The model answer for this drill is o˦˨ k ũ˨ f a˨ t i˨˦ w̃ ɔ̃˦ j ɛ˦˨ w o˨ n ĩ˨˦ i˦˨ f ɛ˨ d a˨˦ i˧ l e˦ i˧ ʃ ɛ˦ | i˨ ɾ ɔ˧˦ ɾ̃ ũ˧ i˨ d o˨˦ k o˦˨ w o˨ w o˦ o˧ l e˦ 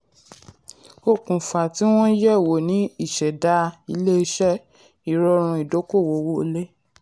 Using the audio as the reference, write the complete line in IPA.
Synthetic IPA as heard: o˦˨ k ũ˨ f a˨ t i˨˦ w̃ ɔ̃˦ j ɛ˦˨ w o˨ n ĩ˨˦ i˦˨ ʃ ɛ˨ d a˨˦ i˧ l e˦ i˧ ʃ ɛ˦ | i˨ ɾ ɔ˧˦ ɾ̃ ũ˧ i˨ d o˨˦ k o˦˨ w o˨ w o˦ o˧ l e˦